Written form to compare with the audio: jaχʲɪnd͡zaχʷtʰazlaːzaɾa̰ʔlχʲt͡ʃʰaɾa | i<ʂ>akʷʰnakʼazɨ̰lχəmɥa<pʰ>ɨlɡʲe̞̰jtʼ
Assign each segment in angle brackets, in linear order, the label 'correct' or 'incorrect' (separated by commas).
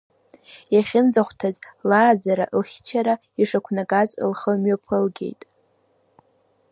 correct, correct